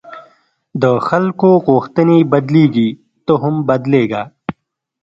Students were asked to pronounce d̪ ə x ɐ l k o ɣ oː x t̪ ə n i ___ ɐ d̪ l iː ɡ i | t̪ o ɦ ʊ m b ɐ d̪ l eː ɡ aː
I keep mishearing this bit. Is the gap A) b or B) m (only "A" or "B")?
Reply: A